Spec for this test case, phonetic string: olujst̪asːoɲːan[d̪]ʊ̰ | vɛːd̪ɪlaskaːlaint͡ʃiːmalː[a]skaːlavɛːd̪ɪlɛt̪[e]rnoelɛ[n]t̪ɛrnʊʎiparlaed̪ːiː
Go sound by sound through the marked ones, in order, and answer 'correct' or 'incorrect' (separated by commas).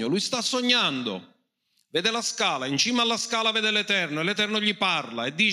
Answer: correct, correct, incorrect, incorrect